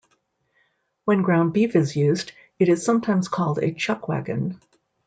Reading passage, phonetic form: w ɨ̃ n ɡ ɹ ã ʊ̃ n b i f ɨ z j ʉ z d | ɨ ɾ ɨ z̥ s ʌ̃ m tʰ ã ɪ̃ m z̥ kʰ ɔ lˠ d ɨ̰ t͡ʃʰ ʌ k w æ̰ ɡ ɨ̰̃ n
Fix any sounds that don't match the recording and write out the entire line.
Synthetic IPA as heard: w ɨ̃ n ɡ ɹ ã ʊ̃ n b i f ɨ z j ʉ z d | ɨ ɾ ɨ z̥ s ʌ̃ m tʰ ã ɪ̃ m z̥ kʰ ɔ lˠ d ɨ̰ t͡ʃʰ ʌ k w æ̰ ɡ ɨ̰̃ n

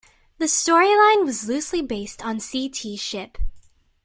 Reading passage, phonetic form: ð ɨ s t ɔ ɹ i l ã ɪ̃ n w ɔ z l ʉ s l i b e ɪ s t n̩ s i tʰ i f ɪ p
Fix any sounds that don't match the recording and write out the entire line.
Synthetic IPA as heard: ð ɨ s t ɔ ɹ i l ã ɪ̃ n w ʌ z l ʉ s l i b e ɪ s t n̩ s i tʰ i ʃ ɪ p

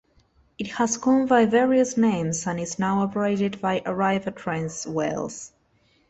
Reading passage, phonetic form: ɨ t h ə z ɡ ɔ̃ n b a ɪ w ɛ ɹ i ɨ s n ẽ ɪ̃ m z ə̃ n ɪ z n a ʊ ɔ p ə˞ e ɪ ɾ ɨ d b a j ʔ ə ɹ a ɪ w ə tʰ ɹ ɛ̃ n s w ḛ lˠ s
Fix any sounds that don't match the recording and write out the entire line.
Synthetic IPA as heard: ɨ t h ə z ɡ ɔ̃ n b a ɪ v ɛ ɹ i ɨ s n ẽ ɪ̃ m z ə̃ n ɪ z n a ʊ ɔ p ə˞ e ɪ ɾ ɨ d b a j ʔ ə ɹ a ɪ v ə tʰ ɹ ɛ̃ n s w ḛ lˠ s

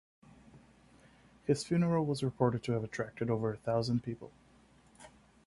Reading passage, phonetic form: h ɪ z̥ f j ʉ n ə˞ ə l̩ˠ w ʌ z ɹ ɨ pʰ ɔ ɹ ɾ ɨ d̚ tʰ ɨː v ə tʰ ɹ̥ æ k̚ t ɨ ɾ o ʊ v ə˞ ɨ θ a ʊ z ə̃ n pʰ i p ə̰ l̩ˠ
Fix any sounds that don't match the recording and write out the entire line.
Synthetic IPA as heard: h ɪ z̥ f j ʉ n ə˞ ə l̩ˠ w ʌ z ɹ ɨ pʰ ɔ ɹ ɾ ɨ d̚ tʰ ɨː v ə tʰ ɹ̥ æ k̚ t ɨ ɾ o ʊ v ə˞ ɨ θ a ʊ z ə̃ n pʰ i p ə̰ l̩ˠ

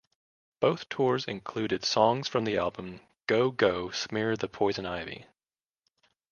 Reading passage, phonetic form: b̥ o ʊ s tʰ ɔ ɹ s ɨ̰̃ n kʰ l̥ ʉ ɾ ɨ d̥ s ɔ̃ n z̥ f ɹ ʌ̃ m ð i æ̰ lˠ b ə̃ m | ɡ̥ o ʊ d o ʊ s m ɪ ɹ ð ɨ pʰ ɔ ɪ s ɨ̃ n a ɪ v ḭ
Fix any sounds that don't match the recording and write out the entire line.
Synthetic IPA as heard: b̥ o ʊ θ tʰ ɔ ɹ z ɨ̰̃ n kʰ l̥ ʉ ɾ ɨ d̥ s ɔ̃ ŋ z̥ f ɹ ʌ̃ m ð i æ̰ lˠ b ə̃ m | ɡ̥ o ʊ ɡ o ʊ s m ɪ ɹ ð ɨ pʰ ɔ ɪ z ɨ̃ n a ɪ v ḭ

